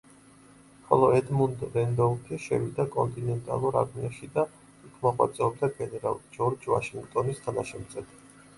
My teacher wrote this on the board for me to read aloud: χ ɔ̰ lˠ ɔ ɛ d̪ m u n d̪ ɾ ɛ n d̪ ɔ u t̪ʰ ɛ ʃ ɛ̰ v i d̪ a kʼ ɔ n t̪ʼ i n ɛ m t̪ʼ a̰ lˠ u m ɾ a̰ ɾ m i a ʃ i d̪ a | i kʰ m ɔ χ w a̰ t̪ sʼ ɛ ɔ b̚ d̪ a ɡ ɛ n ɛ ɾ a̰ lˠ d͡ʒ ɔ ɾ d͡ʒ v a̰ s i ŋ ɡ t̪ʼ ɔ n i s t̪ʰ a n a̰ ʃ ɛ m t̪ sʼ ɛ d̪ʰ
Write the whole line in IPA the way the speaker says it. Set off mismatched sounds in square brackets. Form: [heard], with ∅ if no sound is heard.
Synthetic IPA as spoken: χ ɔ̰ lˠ ɔ ɛ d̪ m u n d̪ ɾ ɛ n d̪ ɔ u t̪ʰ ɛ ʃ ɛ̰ v i d̪ a kʼ ɔ n t̪ʼ i n ɛ [n] t̪ʼ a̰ lˠ u [∅] ɾ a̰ ɾ m i a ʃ i d̪ a | i kʰ m ɔ χ w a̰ t̪ sʼ ɛ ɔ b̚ d̪ a ɡ ɛ n ɛ ɾ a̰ lˠ d͡ʒ ɔ ɾ d͡ʒ v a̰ [ʃ] i ŋ ɡ t̪ʼ ɔ n i s t̪ʰ a n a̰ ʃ ɛ m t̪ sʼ ɛ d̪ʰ